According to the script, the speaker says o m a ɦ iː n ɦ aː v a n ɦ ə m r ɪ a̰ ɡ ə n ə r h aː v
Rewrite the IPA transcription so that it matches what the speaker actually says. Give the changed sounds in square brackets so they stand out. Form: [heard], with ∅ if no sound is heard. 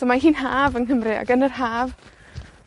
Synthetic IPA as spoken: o m a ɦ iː n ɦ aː v [ə] n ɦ ə m r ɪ a̰ ɡ ə n ə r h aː v